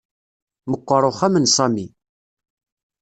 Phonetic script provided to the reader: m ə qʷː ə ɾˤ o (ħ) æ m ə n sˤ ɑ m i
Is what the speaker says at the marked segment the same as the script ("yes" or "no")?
no